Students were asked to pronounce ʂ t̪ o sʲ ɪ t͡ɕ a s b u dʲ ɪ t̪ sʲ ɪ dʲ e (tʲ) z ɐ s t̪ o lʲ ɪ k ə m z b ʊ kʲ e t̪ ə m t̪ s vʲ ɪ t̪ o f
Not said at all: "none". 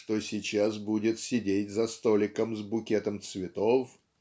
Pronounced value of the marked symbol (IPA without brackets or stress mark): tʲ